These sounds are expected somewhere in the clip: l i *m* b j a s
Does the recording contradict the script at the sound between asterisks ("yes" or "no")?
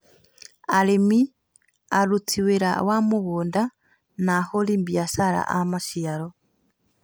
no